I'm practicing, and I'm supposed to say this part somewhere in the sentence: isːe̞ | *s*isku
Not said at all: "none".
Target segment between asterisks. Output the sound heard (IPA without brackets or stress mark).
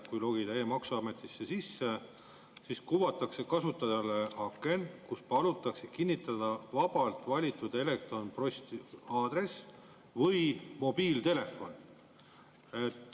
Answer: s